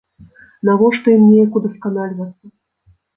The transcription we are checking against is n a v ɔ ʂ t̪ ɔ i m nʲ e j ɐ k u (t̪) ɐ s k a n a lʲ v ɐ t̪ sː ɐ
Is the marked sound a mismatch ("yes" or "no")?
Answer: yes